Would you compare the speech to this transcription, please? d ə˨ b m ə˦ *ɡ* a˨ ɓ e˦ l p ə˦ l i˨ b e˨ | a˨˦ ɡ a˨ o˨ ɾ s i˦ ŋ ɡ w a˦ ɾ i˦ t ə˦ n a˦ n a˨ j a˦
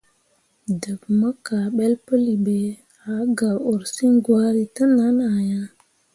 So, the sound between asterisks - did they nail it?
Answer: no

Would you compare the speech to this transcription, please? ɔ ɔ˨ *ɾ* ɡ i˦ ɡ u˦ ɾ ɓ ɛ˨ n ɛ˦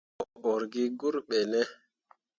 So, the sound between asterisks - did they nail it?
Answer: yes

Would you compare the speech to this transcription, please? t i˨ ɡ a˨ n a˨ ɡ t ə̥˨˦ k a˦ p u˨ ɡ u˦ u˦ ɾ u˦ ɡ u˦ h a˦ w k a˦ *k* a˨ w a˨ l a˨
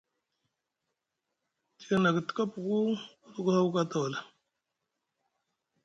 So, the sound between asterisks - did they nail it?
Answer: no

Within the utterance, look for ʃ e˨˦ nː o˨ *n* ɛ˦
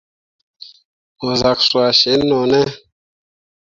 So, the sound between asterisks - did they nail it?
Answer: yes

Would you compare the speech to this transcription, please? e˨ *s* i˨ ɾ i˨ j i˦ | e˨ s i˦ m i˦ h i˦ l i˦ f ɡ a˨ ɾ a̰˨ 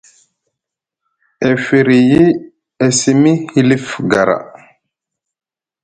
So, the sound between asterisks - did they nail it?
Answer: no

